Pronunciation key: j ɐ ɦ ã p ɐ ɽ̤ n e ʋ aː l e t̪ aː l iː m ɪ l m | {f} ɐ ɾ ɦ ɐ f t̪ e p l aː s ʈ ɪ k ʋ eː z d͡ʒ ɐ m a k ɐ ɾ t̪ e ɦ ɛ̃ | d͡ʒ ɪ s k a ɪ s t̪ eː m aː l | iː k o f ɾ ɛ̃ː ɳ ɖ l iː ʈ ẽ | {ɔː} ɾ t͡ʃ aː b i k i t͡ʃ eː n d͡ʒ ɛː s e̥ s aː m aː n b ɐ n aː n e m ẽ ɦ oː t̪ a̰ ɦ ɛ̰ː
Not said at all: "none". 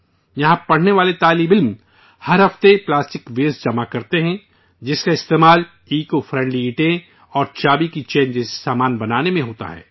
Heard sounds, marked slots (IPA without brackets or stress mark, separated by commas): h, ɔː